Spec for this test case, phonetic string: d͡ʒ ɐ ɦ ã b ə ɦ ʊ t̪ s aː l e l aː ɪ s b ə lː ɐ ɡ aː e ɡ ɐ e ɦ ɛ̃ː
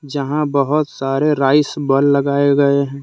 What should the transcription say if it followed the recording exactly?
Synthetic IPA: d͡ʒ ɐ ɦ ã b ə ɦ ʊ t̪ s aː ɾ e ɾ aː ɪ s b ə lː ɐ ɡ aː e ɡ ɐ e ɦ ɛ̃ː